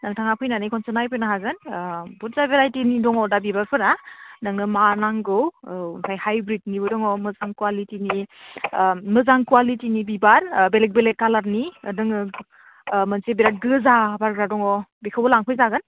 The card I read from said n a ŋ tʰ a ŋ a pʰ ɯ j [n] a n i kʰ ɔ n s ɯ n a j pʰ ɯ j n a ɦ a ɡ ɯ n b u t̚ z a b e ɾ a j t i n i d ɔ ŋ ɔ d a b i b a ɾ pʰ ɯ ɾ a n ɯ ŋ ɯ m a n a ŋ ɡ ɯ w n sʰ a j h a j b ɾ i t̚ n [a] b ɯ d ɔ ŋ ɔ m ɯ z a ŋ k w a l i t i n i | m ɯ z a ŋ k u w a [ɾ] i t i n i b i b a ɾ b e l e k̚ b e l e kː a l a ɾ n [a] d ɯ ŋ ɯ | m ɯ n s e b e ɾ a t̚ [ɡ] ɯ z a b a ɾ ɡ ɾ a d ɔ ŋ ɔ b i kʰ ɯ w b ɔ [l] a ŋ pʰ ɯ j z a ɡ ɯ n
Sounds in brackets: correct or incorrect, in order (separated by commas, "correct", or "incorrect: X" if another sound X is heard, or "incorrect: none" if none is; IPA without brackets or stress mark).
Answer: correct, incorrect: i, incorrect: l, incorrect: i, correct, correct